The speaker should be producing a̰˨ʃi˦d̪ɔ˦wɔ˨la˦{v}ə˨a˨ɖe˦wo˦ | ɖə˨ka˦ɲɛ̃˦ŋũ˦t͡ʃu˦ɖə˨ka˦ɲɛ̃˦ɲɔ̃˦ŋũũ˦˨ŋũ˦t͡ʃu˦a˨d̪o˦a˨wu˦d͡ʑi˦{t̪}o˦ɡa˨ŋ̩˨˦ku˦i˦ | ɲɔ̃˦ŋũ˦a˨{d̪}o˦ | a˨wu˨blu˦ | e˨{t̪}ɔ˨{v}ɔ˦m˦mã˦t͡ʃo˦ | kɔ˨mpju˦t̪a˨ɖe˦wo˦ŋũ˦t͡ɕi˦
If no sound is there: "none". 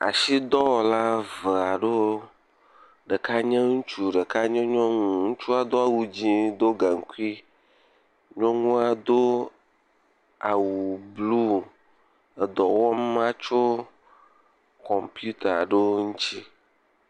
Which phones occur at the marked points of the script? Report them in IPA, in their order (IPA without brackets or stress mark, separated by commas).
v, d̪, d̪, d̪, w